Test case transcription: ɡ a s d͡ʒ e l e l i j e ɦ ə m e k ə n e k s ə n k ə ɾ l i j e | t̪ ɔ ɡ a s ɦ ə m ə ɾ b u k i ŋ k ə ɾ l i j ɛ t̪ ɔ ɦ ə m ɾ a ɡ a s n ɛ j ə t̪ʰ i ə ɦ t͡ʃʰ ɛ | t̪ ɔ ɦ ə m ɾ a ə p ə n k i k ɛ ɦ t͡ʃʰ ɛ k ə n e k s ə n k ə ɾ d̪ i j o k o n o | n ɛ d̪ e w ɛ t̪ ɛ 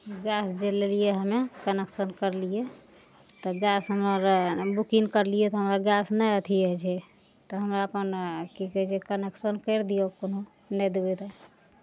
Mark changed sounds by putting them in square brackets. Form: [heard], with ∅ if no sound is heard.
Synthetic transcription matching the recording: ɡ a s d͡ʒ e l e l i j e ɦ ə m e k ə n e k s ə n k ə ɾ l i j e | t̪ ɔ ɡ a s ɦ ə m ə ɾ b u k i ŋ k ə ɾ l i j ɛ t̪ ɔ ɦ ə m ɾ a ɡ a s n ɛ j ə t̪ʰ i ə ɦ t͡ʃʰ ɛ | t̪ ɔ ɦ ə m ɾ a ə p ə n k i k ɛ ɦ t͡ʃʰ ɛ k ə n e k s ə n k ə ɾ d̪ i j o k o n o | n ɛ d̪ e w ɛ t̪ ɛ